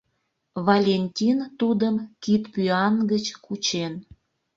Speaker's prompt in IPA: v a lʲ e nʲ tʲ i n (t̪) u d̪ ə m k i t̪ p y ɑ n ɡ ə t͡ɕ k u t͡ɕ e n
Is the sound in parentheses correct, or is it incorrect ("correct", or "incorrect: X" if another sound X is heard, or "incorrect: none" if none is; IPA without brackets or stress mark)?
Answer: correct